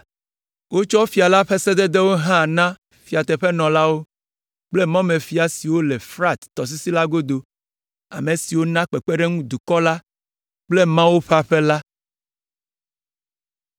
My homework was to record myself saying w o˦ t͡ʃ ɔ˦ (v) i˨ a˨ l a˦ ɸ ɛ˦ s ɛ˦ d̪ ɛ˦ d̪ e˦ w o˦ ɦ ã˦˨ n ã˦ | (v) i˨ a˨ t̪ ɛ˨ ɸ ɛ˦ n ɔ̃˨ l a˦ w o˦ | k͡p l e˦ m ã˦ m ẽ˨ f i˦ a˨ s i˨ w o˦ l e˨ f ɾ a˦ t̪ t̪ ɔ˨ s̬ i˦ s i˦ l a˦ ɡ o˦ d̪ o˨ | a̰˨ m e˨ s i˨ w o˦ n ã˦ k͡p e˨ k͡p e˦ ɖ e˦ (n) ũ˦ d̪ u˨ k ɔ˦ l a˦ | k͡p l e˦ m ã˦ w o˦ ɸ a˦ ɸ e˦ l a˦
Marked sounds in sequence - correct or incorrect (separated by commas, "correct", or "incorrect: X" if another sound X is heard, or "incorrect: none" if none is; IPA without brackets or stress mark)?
incorrect: f, incorrect: f, incorrect: ŋ